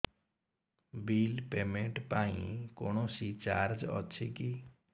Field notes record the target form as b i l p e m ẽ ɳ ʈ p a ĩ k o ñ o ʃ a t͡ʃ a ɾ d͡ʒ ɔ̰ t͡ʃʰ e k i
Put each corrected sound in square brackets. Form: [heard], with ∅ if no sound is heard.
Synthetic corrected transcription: b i l p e m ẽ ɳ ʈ p a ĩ k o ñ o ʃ [i] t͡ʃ a ɾ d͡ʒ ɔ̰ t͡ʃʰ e k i